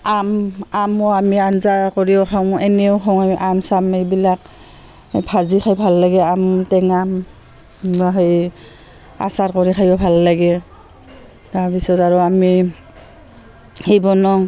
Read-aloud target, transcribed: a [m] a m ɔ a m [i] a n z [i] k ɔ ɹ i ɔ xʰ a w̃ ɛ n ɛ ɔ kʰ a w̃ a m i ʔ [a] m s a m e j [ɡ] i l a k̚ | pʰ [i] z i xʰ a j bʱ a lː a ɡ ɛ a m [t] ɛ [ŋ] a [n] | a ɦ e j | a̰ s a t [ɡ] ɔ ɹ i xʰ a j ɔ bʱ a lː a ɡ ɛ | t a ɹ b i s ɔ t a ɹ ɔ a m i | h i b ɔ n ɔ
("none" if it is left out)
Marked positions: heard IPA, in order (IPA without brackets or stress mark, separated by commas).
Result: m, i, a, a, b, a, t, ŋ, m, k